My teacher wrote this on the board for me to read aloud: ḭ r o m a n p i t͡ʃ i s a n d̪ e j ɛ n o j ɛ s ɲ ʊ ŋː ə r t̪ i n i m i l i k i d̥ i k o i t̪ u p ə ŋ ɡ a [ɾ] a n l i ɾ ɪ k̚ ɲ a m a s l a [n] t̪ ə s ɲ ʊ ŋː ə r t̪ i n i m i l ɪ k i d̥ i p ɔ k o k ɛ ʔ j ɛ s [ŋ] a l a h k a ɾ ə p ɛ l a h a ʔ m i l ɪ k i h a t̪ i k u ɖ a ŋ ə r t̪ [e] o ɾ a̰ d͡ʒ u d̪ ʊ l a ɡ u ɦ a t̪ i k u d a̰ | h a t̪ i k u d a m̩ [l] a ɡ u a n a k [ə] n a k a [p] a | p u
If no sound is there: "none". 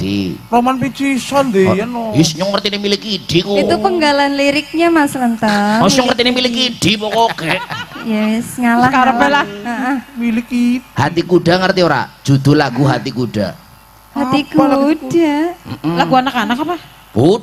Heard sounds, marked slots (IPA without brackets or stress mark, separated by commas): l, n, ŋ, i, l, a, p